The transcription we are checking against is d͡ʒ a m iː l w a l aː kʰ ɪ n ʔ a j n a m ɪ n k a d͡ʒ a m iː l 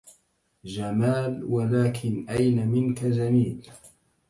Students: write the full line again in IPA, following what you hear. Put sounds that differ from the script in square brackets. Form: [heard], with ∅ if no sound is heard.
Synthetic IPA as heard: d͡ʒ a m [aː] l w a l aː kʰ ɪ n ʔ a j n a m ɪ n k a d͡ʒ a m iː l